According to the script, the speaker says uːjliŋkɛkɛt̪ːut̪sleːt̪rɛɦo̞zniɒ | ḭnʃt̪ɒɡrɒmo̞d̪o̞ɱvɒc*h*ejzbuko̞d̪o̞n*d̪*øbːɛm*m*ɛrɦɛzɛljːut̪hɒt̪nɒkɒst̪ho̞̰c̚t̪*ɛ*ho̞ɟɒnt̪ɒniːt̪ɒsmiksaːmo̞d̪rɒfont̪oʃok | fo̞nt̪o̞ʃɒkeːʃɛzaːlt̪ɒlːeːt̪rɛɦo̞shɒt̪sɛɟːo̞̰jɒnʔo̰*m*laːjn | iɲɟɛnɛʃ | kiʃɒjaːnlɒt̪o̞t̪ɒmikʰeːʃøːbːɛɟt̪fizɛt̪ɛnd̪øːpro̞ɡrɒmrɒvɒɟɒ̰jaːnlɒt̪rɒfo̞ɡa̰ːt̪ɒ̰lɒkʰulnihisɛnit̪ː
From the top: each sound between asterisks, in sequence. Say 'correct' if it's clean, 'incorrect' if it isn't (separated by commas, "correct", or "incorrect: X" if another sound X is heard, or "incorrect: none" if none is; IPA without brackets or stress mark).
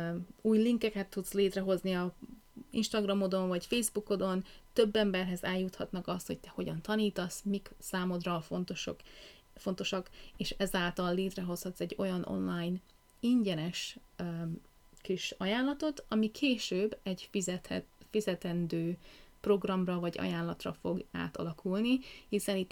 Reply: incorrect: f, incorrect: t̪, incorrect: b, correct, incorrect: n